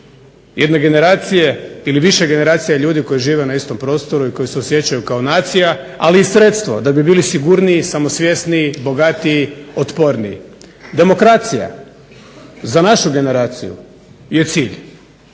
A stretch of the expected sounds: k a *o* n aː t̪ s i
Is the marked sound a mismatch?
no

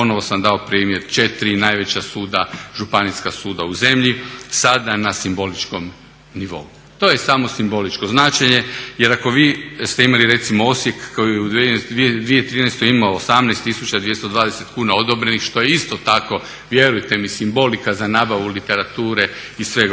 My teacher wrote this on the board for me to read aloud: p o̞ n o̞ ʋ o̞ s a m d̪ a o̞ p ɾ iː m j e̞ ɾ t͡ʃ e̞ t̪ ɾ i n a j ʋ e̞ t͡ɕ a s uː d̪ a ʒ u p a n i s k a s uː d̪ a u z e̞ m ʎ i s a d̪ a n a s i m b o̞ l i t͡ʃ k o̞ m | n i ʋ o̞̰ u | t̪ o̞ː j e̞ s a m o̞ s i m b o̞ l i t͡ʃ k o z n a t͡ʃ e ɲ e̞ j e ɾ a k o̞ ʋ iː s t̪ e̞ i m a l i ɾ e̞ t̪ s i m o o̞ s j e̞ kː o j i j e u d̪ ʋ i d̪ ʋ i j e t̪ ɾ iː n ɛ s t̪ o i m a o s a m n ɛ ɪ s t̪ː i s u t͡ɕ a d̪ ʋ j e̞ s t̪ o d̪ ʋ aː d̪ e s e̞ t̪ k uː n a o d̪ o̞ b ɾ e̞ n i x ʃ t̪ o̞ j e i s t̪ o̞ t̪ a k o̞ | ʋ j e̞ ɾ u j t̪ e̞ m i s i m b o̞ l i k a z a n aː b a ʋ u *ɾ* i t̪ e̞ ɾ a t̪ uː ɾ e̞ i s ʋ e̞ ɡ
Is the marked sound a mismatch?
yes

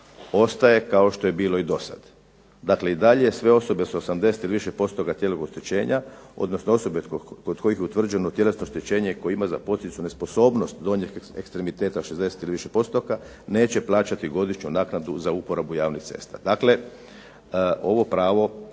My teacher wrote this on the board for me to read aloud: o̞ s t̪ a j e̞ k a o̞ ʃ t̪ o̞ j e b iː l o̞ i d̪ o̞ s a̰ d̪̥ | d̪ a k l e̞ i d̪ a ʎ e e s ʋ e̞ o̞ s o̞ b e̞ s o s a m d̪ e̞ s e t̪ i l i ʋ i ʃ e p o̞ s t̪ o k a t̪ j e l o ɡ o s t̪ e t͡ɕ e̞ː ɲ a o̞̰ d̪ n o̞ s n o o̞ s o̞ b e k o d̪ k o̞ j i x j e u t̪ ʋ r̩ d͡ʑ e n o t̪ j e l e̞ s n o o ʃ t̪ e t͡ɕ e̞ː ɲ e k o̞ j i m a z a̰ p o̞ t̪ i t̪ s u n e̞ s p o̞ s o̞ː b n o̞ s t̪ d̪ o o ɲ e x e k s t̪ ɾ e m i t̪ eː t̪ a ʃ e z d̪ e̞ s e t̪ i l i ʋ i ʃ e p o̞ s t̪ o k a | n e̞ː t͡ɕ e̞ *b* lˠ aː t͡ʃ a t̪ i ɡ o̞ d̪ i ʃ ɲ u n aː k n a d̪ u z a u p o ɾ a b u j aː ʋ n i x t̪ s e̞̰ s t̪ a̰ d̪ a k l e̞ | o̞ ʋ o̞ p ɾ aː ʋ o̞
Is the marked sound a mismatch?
yes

